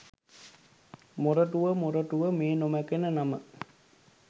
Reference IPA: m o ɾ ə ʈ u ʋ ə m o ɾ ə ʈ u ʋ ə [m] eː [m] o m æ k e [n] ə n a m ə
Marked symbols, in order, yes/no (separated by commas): yes, no, yes